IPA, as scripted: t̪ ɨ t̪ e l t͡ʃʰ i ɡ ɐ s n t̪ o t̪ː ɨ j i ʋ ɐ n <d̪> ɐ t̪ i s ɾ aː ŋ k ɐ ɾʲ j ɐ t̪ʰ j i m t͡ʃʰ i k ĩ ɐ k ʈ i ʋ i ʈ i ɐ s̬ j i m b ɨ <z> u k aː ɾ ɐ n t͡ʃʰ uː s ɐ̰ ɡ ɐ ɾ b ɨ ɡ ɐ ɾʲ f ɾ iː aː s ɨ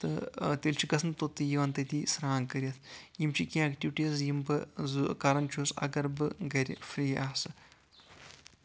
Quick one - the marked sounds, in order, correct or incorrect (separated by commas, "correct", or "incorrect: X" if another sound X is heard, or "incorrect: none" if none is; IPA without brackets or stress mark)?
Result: incorrect: t̪, correct